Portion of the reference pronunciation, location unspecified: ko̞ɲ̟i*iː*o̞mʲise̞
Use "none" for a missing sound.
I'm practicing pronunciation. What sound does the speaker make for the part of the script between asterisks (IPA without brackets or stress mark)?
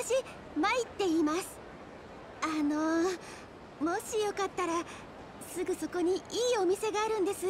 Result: iː